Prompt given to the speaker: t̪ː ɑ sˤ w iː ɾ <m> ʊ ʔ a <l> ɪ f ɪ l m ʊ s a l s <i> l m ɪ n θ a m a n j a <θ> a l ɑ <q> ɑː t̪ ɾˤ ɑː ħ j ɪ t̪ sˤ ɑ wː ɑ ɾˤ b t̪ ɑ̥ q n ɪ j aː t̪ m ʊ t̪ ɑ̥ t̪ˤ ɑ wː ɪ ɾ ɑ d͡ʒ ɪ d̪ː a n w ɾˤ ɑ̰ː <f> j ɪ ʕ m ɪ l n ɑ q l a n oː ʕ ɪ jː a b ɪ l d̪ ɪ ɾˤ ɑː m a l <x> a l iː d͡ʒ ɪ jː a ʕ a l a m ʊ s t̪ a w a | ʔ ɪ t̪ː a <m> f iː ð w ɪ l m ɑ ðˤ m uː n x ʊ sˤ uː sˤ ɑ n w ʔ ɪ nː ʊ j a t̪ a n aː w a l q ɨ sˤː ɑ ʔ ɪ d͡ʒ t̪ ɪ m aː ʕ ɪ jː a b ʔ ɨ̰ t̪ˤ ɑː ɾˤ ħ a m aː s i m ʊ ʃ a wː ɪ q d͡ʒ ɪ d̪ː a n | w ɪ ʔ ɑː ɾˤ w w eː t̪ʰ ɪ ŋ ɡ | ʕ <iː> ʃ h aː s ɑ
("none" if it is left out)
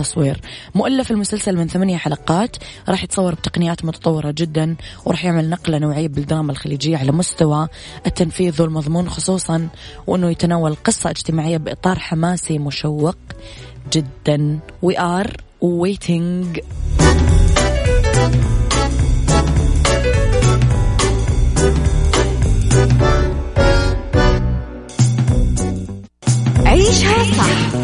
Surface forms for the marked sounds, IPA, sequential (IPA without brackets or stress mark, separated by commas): m, lː, a, ħ, q, ħ, x, n, iː